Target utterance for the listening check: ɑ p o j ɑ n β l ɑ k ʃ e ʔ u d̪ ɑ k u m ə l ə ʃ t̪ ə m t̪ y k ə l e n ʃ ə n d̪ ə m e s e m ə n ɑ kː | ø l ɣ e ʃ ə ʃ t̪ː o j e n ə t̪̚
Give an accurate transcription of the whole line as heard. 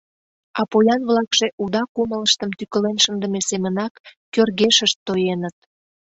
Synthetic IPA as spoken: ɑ p o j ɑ n β l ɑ k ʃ e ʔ u d̪ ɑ k u m ə l ə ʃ t̪ ə m t̪ y k ə l e n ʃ ə n d̪ ə m e s e m ə n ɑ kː | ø r ɣ e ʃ ə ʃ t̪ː o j e n ə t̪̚